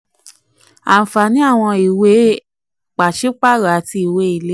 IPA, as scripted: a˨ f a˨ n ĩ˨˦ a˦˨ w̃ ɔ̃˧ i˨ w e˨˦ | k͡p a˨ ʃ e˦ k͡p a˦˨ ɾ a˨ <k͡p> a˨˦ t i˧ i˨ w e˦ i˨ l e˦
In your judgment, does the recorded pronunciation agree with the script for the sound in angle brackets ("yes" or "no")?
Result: no